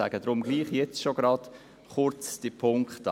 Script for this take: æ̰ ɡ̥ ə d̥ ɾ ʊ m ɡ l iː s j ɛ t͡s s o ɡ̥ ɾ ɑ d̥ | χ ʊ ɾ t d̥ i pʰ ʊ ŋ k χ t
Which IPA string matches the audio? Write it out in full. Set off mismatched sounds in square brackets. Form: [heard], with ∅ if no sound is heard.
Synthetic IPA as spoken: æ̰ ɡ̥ ə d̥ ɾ ʊ m ɡ l iː [χ] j ɛ t͡s [ʃ] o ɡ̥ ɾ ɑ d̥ | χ ʊ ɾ [t͡s] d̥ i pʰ ʊ ŋ k χ t